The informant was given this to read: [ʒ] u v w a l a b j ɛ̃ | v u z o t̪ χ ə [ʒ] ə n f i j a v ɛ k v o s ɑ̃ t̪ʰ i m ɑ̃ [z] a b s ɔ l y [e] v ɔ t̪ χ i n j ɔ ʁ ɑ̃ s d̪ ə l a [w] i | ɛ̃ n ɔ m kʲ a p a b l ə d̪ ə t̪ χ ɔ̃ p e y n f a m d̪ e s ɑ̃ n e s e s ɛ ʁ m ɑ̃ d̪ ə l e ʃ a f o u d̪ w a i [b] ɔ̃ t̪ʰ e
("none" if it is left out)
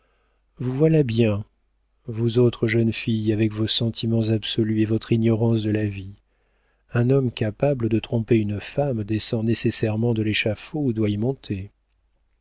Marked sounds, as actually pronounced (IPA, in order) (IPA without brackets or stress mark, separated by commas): v, ʒ, z, e, v, m